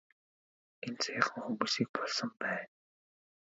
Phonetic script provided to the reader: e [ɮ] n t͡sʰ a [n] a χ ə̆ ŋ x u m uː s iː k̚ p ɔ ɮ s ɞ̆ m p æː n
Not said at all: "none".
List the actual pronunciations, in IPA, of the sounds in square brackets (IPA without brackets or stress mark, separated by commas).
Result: none, none